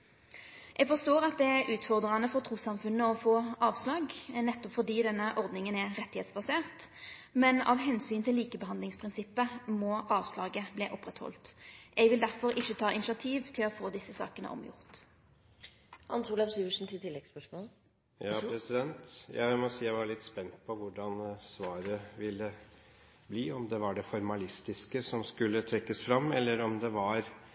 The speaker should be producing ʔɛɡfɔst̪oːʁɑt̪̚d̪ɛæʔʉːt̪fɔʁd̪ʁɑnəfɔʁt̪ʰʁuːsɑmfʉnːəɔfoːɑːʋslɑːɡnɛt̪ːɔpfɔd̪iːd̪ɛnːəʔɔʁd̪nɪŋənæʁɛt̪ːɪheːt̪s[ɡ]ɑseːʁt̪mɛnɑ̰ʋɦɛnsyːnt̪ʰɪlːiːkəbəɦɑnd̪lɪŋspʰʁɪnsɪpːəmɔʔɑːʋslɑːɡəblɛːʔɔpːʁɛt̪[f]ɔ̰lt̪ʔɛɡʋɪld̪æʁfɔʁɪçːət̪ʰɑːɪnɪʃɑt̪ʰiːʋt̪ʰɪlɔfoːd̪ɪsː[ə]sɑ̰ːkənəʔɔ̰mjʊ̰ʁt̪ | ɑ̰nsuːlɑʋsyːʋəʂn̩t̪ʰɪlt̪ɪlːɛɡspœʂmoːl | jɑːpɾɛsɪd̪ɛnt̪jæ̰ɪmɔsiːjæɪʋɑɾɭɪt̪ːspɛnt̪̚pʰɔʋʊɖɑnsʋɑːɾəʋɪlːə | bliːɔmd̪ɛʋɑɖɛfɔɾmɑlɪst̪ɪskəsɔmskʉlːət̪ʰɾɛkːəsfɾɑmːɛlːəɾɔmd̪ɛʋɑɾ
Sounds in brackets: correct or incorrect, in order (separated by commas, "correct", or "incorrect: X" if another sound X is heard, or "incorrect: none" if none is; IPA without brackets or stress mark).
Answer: incorrect: b, incorrect: h, correct